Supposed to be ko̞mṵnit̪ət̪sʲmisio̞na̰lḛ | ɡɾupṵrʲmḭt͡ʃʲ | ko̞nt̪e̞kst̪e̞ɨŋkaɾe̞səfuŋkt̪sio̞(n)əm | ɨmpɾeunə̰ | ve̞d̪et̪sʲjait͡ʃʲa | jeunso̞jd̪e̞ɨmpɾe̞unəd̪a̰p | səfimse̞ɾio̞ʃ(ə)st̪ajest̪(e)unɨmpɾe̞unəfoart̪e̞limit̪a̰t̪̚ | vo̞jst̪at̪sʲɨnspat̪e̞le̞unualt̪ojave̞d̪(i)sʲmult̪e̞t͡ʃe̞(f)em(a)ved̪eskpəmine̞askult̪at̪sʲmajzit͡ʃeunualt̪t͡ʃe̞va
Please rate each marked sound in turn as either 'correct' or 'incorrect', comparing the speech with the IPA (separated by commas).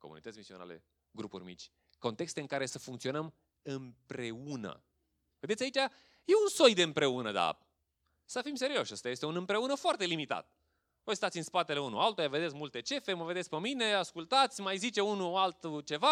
correct, correct, correct, incorrect, correct, incorrect